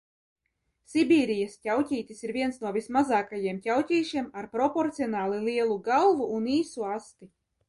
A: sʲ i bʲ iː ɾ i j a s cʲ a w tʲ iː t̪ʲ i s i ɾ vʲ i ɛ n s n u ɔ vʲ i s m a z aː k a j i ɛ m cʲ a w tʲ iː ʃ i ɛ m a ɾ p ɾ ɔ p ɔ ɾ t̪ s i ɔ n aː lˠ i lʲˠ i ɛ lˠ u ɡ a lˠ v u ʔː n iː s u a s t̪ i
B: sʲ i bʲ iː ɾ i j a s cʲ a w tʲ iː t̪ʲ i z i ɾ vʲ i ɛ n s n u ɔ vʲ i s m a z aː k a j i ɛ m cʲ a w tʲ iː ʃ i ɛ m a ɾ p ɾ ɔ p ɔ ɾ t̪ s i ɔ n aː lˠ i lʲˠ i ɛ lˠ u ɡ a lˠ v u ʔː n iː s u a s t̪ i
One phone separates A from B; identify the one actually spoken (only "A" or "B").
A